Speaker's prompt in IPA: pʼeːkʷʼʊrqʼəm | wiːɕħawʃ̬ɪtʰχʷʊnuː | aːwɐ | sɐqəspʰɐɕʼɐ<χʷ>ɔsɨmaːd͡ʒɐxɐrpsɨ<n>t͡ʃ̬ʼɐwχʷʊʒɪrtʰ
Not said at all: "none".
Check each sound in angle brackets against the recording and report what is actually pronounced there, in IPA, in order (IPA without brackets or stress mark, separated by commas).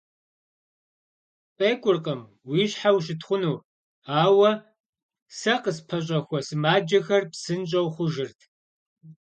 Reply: xʷ, n